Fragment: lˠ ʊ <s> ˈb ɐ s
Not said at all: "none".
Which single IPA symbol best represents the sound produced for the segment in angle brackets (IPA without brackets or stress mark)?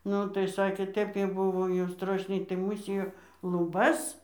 none